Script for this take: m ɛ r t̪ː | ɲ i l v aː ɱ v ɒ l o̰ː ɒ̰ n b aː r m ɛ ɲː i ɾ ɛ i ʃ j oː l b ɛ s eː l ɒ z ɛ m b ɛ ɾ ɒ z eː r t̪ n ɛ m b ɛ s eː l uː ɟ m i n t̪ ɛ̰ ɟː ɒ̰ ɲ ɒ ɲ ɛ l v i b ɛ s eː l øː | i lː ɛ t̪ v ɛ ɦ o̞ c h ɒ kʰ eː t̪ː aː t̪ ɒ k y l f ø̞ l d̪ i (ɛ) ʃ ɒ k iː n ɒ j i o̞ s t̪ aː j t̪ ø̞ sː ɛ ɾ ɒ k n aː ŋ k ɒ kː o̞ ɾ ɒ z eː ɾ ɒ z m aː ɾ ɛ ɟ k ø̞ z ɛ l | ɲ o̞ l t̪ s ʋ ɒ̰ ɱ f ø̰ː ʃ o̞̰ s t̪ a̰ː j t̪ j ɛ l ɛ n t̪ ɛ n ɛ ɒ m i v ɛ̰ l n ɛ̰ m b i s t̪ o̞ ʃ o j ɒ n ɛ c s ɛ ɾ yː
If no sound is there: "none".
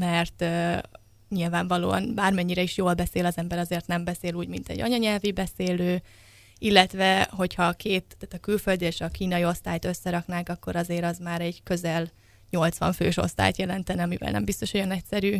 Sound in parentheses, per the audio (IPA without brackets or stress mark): e